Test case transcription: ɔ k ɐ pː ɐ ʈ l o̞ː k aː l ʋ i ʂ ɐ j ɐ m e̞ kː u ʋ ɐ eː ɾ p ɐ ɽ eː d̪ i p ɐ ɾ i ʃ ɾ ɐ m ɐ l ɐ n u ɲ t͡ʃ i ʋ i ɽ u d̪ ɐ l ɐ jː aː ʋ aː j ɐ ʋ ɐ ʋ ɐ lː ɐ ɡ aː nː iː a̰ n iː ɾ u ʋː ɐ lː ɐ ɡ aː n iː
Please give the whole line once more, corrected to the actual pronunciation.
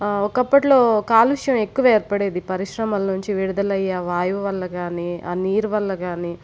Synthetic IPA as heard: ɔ k ɐ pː ɐ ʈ l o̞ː k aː l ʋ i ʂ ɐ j ɐ m e̞ kː u ʋ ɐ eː ɾ p ɐ ɽ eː d̪ i p ɐ ɾ i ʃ ɾ ɐ m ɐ l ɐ n u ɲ t͡ʃ i ʋ i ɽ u d̪ ɐ l ɐ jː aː ʋ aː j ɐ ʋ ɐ ʋ ɐ lː ɐ ɡ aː n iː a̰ n iː ɾ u ʋ ɐ lː ɐ ɡ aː n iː